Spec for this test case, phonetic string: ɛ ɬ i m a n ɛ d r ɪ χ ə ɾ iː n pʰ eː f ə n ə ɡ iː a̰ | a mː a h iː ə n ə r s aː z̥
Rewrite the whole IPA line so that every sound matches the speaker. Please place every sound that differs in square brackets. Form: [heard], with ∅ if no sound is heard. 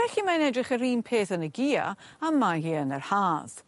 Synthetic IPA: ɛ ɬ i m a n ɛ d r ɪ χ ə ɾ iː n pʰ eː [θ] ə n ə ɡ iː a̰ | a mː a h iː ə n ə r [h] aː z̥